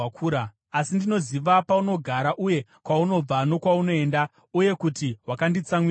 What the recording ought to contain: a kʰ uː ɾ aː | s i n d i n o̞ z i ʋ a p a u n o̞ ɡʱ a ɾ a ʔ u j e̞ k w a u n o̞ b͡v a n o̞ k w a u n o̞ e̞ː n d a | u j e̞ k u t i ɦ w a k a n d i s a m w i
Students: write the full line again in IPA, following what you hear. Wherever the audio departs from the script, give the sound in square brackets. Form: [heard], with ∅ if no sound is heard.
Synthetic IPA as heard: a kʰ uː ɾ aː | s i n d i n o̞ z i ʋ a p a u n o̞ ɡʱ a ɾ a ʔ u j e̞ k w a u n o̞ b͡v a n o̞ k w a u n o̞ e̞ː n d a | u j e̞ k u t i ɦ w a k a n d i [t͡s] a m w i